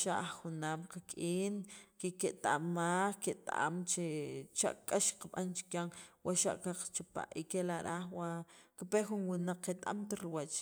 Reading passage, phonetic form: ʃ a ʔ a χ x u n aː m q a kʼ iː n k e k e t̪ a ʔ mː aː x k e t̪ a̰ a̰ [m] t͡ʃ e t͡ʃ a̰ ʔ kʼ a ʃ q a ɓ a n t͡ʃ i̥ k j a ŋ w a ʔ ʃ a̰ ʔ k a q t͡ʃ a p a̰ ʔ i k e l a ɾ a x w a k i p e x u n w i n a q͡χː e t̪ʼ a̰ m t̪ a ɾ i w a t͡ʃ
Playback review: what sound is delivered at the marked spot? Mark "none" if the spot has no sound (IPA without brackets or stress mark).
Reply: m